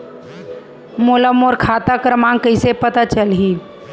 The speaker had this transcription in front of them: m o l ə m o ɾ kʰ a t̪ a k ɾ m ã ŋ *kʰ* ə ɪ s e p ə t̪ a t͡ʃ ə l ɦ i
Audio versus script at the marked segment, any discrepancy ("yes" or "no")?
yes